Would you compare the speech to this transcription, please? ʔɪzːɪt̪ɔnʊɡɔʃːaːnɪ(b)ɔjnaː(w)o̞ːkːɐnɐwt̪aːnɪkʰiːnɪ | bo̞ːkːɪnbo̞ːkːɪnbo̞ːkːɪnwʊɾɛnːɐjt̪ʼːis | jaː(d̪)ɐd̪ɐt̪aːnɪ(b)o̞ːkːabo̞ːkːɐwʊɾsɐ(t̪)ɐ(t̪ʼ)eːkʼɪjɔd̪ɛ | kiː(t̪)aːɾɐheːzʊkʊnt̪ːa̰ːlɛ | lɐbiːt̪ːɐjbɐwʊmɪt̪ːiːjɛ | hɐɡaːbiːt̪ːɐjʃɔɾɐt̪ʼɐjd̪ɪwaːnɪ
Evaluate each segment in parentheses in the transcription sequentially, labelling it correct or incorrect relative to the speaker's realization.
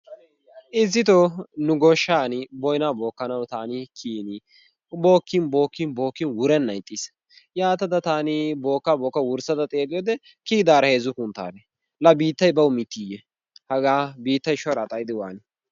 correct, incorrect: b, incorrect: t̪, correct, incorrect: d̪, correct, incorrect: d̪

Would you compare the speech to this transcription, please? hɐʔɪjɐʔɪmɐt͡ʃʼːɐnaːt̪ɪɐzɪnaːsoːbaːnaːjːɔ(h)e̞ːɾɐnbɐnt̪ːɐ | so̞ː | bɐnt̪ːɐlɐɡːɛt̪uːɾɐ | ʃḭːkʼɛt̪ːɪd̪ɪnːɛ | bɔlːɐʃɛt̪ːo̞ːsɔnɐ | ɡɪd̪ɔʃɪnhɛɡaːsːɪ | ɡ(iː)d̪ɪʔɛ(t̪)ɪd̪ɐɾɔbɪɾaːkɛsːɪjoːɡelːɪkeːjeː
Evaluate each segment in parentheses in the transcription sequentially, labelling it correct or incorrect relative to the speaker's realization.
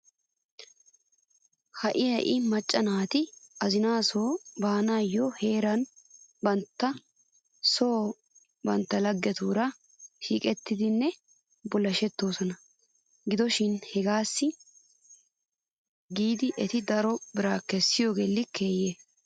correct, correct, correct

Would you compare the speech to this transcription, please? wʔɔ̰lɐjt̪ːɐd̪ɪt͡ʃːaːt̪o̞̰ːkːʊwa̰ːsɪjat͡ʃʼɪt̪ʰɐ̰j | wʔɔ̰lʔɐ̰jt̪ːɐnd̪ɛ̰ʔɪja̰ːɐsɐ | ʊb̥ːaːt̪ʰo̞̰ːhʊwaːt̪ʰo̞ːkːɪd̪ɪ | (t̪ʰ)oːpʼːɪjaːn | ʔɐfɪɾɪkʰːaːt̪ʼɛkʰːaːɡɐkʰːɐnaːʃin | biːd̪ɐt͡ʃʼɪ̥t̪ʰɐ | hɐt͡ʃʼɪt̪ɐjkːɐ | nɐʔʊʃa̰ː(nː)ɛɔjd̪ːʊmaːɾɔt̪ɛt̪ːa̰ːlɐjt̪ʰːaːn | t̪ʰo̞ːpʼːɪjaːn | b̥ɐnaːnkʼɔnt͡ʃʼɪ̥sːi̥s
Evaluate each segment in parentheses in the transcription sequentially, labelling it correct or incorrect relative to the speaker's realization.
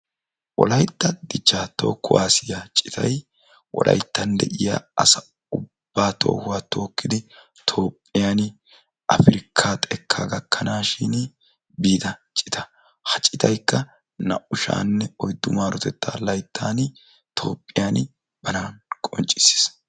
correct, correct

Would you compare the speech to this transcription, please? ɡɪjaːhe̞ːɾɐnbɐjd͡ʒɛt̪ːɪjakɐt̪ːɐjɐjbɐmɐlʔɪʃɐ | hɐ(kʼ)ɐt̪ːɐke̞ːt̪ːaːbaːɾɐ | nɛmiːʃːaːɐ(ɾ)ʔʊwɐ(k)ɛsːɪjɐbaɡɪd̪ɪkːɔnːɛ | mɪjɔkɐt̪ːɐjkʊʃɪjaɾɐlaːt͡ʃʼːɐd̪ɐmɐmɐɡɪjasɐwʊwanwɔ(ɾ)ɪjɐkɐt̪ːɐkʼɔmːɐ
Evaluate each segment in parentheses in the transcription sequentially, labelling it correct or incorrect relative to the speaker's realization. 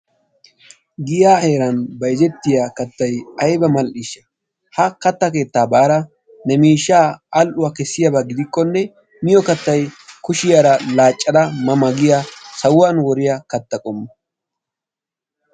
incorrect: k, incorrect: l, correct, correct

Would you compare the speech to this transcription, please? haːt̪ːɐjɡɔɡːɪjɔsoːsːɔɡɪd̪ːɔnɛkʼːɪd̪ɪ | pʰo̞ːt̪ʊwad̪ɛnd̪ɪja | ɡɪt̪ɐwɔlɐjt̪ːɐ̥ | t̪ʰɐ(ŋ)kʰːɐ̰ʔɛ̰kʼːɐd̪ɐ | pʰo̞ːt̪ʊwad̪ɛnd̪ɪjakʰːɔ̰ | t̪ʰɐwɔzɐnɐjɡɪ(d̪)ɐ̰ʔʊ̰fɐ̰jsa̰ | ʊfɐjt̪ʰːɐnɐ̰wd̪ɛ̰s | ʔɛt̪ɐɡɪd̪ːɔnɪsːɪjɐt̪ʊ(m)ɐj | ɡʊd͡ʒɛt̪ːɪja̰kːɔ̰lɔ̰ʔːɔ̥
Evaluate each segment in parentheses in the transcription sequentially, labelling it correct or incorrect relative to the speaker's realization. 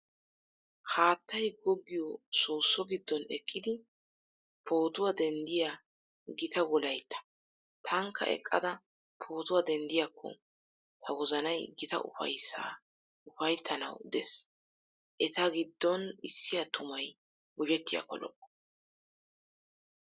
correct, incorrect: t̪, correct

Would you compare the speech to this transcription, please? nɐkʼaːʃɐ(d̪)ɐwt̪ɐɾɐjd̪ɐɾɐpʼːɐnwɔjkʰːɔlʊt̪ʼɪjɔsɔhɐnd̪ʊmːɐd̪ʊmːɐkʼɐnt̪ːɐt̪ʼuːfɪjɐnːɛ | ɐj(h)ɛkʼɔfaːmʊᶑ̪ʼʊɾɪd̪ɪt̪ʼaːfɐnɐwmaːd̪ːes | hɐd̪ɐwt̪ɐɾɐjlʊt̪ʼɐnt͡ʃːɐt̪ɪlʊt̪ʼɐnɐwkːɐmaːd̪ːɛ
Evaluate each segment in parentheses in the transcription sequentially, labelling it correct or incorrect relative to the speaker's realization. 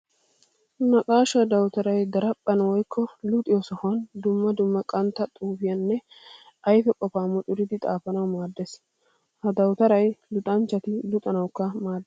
correct, incorrect: f

